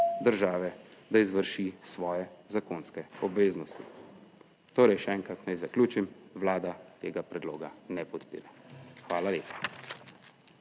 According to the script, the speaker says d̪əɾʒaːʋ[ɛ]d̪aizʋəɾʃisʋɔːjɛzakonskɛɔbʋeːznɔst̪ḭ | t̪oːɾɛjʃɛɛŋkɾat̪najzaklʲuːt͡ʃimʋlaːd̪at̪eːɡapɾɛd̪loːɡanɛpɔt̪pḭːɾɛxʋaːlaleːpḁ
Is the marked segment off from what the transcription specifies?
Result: no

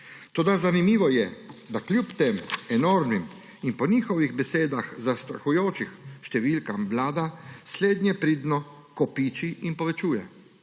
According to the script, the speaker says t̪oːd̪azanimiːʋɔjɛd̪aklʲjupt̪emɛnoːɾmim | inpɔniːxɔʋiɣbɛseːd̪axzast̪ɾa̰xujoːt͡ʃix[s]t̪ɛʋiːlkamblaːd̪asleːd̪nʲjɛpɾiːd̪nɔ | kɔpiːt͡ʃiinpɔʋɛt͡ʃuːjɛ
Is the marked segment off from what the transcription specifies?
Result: yes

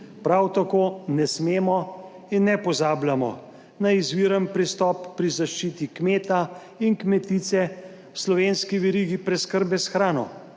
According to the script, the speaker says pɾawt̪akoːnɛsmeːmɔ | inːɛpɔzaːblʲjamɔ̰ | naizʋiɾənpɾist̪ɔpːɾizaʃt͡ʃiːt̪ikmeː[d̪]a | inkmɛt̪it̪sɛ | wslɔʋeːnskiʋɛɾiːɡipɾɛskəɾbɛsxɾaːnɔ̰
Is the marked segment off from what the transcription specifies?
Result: yes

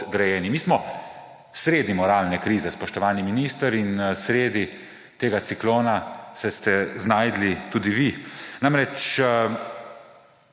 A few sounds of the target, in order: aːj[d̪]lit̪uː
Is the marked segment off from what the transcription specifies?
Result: no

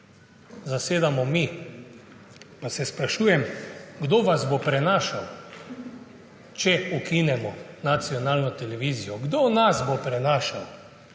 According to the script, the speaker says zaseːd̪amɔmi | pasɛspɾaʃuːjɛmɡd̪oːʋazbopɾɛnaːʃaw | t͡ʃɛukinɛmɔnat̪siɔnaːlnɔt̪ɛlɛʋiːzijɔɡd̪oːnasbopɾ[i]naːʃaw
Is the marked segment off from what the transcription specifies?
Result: yes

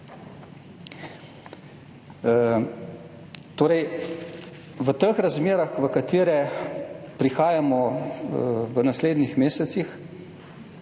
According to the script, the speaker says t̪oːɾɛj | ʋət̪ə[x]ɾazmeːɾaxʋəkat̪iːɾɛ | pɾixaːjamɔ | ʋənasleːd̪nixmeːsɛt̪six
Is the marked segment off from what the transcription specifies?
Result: no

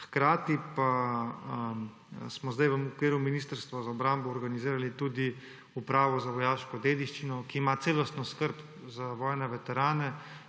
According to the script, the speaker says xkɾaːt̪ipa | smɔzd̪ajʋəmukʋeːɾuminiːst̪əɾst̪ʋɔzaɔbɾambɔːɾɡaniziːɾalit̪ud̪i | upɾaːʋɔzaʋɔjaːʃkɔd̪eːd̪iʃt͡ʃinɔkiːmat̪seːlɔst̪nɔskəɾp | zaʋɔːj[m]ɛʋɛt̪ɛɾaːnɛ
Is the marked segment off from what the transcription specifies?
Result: yes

